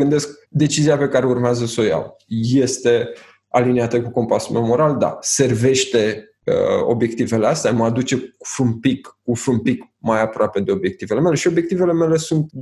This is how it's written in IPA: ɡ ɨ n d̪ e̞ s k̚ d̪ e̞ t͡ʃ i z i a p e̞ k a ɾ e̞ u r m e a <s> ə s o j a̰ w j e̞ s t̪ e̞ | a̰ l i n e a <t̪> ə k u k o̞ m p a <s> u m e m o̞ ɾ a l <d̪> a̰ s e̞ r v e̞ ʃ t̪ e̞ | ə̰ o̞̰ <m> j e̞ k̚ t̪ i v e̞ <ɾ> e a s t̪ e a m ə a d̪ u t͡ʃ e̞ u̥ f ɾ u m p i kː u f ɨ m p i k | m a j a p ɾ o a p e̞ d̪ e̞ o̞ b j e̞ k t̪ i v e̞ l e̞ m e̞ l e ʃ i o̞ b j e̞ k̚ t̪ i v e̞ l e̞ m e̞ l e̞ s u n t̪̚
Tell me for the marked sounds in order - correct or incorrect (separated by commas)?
incorrect, correct, correct, correct, incorrect, incorrect